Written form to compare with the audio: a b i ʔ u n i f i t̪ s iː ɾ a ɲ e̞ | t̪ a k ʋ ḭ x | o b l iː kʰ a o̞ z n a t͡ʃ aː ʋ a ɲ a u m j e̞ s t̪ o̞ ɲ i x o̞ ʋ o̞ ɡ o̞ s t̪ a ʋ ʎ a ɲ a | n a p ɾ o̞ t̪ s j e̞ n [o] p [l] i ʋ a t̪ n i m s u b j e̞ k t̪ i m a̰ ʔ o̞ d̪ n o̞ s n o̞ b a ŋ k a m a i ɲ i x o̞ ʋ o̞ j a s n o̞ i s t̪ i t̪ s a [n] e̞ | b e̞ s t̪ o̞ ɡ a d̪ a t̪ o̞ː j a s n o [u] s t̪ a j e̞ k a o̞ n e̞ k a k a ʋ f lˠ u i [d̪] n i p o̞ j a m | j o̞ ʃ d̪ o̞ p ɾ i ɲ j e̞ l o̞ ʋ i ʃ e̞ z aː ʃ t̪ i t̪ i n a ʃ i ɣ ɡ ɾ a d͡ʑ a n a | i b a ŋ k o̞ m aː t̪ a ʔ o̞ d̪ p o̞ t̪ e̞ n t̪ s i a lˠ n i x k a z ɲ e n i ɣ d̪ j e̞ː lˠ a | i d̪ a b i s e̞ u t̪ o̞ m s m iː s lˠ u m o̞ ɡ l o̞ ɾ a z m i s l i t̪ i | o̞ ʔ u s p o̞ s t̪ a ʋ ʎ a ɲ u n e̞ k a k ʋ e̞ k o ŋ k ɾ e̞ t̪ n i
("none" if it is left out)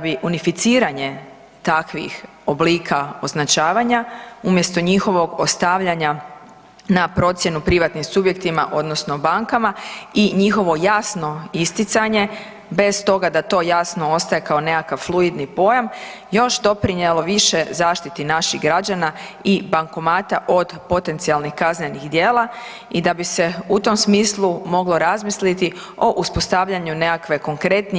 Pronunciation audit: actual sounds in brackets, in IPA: u, ɾ, ɲ, o, d̪

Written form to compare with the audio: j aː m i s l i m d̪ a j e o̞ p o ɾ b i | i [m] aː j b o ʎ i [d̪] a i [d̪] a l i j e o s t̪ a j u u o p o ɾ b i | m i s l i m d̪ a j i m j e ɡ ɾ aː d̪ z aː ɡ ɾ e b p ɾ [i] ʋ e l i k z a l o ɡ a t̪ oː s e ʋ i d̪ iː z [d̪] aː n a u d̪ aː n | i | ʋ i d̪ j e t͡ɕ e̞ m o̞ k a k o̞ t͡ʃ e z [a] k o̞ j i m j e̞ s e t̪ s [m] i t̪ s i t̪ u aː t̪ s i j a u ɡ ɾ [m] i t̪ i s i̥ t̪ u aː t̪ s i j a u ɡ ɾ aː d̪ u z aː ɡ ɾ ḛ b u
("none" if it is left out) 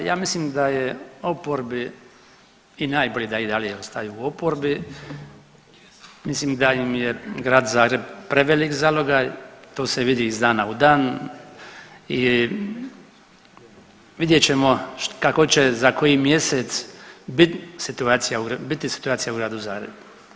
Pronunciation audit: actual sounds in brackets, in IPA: n, d̪, d̪, e, d̪, a, b, b

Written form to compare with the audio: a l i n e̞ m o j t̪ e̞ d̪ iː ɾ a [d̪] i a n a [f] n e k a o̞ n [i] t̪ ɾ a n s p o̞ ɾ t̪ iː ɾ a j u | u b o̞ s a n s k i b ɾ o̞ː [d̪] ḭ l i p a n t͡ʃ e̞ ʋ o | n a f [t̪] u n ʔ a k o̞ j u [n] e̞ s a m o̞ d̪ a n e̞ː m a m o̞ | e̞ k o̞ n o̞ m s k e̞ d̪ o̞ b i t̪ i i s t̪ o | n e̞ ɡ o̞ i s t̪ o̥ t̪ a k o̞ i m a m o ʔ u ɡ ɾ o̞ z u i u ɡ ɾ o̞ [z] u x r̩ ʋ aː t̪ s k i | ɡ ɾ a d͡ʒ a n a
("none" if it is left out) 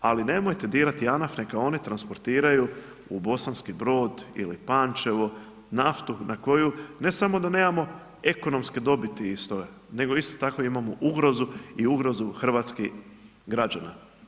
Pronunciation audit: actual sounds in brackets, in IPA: t̪, f, i, d̪, t̪, n, z

